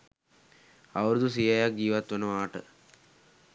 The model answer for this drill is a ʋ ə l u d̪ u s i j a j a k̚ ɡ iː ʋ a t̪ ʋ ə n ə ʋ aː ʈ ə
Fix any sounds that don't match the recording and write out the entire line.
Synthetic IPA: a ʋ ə ɾ u d̪ u s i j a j a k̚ ɡ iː ʋ a t̪ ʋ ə n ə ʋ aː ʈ ə